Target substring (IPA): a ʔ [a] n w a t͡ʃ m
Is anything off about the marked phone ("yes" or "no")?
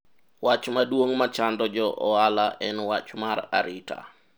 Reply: yes